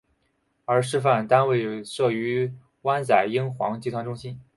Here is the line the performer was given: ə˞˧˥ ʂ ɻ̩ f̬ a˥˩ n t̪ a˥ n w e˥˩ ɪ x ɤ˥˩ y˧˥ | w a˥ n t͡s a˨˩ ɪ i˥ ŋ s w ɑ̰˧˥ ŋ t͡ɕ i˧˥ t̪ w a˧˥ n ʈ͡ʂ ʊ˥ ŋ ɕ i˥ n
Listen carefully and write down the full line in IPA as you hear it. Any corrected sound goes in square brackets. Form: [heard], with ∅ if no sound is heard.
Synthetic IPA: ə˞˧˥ ʂ ɻ̩ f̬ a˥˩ n t̪ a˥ n w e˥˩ ɪ [ʂ] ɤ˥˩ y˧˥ | w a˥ n t͡s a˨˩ ɪ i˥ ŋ [x] w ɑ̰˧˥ ŋ t͡ɕ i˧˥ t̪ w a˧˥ n ʈ͡ʂ ʊ˥ ŋ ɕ i˥ n

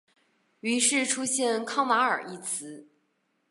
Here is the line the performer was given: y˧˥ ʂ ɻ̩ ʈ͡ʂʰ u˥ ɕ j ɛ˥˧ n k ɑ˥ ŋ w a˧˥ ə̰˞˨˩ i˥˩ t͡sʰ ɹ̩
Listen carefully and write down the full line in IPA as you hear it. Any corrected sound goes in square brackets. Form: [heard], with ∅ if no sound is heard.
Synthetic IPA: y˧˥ ʂ ɻ̩ ʈ͡ʂʰ u˥ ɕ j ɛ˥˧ n [kʰ] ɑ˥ ŋ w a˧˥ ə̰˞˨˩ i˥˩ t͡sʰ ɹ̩

